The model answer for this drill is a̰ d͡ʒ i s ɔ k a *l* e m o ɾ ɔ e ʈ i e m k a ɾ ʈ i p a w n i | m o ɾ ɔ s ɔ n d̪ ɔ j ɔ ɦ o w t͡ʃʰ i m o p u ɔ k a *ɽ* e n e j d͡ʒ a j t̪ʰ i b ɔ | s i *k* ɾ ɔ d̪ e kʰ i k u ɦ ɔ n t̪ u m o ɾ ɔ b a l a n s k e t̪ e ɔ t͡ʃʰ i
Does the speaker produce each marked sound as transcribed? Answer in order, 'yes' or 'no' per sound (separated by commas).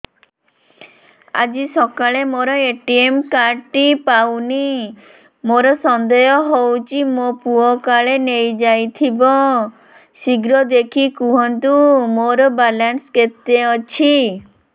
no, no, no